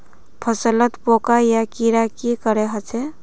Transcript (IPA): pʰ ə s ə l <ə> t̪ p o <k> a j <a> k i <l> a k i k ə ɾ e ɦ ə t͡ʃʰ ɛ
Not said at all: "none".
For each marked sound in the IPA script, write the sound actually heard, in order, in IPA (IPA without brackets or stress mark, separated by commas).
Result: ə, k, a, ɾ